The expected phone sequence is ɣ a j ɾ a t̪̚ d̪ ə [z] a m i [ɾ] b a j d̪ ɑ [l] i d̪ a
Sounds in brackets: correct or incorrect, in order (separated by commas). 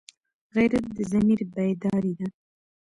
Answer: correct, correct, incorrect